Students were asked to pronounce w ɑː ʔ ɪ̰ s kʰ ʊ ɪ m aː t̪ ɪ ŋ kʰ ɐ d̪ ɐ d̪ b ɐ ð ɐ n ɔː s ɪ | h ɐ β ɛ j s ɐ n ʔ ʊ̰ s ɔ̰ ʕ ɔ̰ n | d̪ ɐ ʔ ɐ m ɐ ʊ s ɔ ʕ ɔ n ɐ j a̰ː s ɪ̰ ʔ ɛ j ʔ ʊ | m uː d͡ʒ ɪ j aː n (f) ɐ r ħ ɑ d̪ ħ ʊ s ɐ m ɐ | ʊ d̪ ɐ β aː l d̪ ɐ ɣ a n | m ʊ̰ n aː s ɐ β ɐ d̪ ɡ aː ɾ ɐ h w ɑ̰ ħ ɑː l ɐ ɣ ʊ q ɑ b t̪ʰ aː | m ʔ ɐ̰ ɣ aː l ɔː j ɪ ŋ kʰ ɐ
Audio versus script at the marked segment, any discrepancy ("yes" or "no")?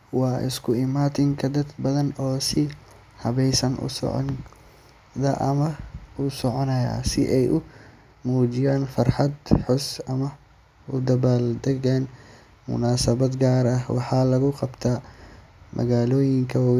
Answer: no